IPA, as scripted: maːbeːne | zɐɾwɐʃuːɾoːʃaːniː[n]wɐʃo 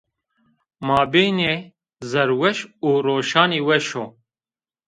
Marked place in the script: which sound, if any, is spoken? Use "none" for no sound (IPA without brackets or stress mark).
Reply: none